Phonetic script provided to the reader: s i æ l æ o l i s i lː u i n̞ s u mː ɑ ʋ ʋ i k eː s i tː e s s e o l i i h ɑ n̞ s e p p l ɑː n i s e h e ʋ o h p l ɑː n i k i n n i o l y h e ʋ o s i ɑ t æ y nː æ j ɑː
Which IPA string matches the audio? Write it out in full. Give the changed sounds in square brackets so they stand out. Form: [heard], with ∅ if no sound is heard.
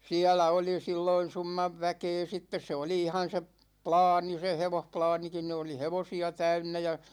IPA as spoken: s i æ l æ o l i s i lː [o] i n̞ s u mː ɑ ʋ ʋ [æ] k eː s i tː e s s e o l i i h ɑ n̞ s e p p l ɑː n i s e h e ʋ o h p l ɑː n i k i n n i o l [i] h e ʋ o s i ɑ t æ y nː æ j [ɑ]